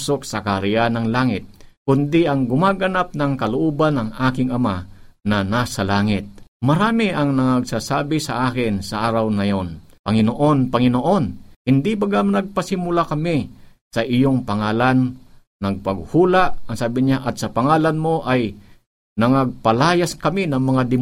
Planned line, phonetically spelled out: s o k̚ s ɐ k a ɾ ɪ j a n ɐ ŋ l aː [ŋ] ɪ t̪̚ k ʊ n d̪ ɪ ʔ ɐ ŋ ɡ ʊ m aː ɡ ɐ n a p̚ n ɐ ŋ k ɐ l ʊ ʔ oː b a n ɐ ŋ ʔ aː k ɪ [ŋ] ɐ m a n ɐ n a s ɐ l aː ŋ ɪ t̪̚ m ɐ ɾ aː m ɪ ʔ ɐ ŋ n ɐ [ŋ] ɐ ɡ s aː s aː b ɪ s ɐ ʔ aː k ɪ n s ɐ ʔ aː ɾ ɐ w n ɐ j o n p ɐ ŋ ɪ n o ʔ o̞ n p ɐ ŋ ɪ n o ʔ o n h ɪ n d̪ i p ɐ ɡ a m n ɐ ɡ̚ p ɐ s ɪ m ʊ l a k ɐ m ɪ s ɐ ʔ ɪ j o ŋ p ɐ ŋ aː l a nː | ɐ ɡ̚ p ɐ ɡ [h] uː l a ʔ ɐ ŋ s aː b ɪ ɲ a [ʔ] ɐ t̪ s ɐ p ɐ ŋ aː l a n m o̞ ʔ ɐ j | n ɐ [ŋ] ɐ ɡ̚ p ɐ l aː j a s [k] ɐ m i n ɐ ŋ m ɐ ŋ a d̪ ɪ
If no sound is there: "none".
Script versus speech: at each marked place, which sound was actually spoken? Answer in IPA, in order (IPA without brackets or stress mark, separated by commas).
ŋ, ŋ, ŋ, h, ʔ, ŋ, k